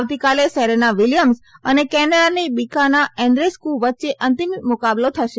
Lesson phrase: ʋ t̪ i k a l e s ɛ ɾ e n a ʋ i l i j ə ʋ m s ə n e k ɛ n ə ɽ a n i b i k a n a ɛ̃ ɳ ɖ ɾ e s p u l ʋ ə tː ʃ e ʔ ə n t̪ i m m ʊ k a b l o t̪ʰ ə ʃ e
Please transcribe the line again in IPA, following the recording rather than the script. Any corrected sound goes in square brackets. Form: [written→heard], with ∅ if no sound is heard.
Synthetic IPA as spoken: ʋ t̪ i k a l e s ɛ ɾ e n a ʋ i l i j ə [ʋ→∅] m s ə n e k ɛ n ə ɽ a n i b i k a n a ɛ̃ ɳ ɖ ɾ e s [p→k] u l ʋ ə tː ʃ e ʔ ə n t̪ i m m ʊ k a b l o t̪ʰ ə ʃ e

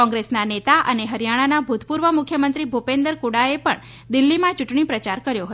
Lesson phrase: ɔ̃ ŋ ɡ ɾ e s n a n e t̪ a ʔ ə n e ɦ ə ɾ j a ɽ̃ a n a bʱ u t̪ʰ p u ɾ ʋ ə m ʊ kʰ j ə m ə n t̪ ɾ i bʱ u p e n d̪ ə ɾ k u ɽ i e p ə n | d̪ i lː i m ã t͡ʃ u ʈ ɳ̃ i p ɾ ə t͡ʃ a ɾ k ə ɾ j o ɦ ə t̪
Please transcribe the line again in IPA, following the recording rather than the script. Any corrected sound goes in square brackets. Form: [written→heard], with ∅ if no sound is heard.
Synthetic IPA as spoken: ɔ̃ ŋ ɡ ɾ e s n a n e t̪ a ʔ ə n e ɦ ə ɾ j a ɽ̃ a n a bʱ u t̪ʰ p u ɾ ʋ ə m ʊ kʰ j ə m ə n t̪ ɾ i bʱ u p e n d̪ ə ɾ k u ɽ [i→a] e p ə [n→ɳ] | d̪ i lː i m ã t͡ʃ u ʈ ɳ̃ i p ɾ ə t͡ʃ a ɾ k ə ɾ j o ɦ ə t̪

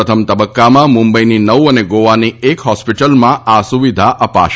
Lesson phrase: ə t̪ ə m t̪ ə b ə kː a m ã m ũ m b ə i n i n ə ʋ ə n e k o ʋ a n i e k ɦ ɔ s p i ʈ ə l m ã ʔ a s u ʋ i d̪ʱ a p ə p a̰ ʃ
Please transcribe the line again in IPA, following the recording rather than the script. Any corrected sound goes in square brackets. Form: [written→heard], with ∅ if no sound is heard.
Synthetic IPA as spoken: ə [t̪→t̪ʰ] ə m t̪ ə b ə kː a m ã m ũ m b ə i n i n ə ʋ ə n e [k→ɡ] o ʋ a n i e k ɦ ɔ s p i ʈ ə l m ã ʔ a s u ʋ i d̪ʱ a [p→ʔ] ə p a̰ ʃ

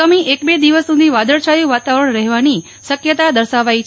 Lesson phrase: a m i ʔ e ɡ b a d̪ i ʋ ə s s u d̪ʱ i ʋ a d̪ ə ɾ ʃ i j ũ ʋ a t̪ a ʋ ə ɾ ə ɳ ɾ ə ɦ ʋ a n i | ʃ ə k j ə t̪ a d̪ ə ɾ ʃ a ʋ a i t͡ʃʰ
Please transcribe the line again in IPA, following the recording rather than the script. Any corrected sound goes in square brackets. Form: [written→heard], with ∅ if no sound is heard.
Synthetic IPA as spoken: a m i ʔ e [ɡ→k] b [a→e] d̪ i ʋ ə s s u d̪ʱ i ʋ a d̪ ə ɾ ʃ [i→a] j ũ ʋ a t̪ a ʋ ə ɾ ə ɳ ɾ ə ɦ ʋ a n i | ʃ ə k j ə t̪ a d̪ ə ɾ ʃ a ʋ a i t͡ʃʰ

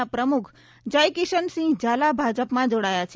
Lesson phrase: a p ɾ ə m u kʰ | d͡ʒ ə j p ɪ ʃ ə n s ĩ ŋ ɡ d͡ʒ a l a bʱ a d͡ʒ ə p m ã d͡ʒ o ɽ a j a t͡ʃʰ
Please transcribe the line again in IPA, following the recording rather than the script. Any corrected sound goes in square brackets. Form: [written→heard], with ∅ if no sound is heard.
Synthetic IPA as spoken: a p ɾ ə m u kʰ | d͡ʒ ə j [p→k] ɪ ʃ ə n s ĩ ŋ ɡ d͡ʒ a l a bʱ a d͡ʒ ə p m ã d͡ʒ o ɽ a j a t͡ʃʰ

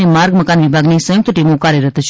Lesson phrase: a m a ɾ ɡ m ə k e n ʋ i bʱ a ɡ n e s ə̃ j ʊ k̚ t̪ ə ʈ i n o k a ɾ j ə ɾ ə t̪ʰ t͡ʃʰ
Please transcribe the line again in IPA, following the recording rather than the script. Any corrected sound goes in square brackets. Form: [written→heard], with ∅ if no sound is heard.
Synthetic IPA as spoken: [a→e] m a ɾ ɡ m ə k [e→a] n ʋ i bʱ a ɡ n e s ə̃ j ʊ k̚ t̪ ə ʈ i [n→m] o k a ɾ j ə ɾ ə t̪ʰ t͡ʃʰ

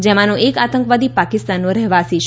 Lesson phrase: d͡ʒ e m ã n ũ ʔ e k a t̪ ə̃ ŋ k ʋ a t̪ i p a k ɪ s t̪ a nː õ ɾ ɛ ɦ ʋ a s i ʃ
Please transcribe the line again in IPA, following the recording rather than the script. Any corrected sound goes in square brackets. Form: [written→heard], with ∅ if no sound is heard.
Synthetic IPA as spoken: d͡ʒ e m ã n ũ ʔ e k a t̪ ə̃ ŋ k ʋ a [t̪→d̪] i p a k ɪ s t̪ a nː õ ɾ ɛ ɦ ʋ a s i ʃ

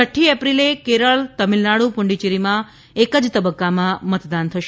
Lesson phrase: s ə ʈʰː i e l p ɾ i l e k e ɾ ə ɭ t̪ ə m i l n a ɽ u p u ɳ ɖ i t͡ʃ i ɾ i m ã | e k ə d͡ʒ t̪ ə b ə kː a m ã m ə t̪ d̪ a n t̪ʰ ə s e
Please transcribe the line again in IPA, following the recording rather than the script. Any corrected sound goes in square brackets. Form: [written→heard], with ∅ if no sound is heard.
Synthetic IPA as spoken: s ə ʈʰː i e [l→∅] p ɾ i l e k e ɾ ə ɭ t̪ ə m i l n a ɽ u p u ɳ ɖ i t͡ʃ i ɾ i m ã | e k ə d͡ʒ t̪ ə b ə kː a m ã m ə t̪ d̪ a n t̪ʰ ə [s→ʃ] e

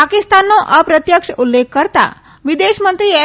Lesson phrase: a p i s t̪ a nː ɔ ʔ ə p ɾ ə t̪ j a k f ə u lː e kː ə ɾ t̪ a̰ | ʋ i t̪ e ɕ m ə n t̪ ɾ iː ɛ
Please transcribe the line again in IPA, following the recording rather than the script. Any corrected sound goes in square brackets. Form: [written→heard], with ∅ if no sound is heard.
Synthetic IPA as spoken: a [p→k] i s t̪ a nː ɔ ʔ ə p ɾ ə t̪ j [a→ə] k [f→ʂ] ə u lː e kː ə ɾ t̪ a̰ | ʋ i [t̪→d̪] e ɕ m ə n t̪ ɾ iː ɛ

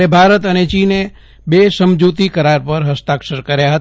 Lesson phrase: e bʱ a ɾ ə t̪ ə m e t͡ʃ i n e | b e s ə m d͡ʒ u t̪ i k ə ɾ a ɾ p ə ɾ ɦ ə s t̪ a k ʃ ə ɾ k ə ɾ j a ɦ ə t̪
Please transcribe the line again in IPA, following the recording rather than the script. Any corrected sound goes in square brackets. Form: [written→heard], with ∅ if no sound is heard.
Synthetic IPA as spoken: e bʱ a ɾ ə t̪ ə [m→n] e t͡ʃ i n e | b e s ə m d͡ʒ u t̪ i k ə ɾ a ɾ p ə ɾ ɦ ə s t̪ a k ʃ ə ɾ k ə ɾ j a ɦ ə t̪

